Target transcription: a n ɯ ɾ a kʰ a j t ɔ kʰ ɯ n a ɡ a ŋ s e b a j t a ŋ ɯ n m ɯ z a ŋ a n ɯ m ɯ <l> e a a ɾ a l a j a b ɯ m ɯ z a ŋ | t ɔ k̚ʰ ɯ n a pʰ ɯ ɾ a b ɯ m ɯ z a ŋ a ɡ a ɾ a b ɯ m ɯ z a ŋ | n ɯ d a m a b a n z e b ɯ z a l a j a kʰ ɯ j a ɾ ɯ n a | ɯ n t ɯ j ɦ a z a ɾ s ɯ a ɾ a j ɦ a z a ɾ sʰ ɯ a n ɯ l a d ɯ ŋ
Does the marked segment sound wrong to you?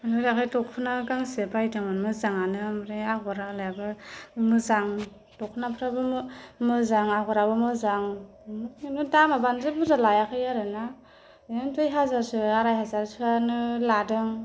yes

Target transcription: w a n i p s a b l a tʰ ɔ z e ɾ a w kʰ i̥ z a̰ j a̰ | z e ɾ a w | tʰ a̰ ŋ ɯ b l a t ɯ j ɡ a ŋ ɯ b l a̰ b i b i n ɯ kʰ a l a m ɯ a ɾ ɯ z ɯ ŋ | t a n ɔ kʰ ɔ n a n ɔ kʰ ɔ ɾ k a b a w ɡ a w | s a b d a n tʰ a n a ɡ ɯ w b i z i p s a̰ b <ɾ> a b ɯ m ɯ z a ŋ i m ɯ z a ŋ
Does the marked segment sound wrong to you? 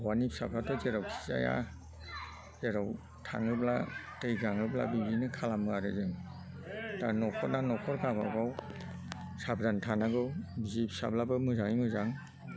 yes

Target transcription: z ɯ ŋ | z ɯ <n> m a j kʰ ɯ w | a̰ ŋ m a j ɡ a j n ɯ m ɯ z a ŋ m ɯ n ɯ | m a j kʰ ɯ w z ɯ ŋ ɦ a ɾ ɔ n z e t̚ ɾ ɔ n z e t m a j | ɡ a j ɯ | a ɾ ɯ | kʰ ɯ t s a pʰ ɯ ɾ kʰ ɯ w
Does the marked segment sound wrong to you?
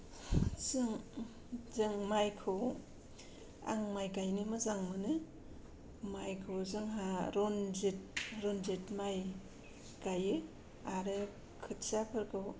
yes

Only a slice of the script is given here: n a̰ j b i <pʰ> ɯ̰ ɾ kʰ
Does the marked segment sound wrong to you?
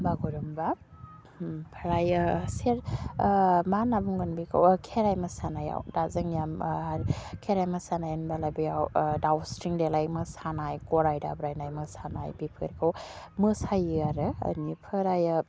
no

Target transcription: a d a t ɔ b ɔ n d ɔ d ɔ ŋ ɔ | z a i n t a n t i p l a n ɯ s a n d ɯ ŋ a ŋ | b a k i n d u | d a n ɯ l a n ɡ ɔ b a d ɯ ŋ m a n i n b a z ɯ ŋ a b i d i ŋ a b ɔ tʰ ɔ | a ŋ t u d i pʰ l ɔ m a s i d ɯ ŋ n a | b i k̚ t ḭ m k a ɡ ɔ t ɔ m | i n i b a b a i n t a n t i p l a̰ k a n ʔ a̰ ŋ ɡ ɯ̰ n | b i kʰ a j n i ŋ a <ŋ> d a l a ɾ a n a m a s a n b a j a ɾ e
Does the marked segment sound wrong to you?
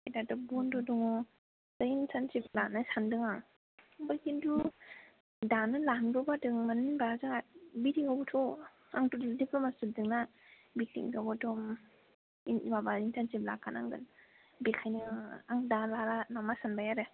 no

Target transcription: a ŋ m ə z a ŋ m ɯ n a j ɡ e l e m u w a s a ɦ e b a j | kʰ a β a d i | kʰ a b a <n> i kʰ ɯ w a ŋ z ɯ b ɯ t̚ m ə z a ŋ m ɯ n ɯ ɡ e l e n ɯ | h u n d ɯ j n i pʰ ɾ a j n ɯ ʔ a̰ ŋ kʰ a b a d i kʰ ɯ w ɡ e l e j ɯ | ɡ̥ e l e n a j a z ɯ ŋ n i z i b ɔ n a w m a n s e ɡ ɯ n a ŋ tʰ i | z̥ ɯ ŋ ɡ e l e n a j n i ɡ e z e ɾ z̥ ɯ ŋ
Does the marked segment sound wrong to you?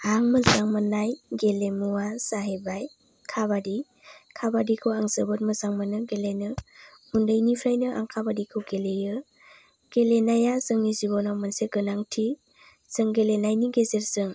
yes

